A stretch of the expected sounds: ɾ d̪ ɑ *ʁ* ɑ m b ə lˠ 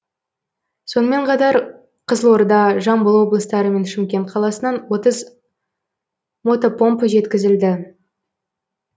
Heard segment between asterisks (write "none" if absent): ʒ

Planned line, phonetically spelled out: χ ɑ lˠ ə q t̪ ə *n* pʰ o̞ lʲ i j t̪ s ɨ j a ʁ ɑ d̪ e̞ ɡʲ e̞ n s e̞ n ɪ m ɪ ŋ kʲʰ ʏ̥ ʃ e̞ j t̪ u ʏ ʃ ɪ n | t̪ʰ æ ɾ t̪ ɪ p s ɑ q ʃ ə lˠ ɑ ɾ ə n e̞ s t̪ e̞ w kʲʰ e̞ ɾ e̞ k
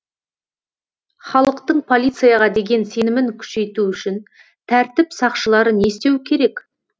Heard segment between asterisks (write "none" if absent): ɴ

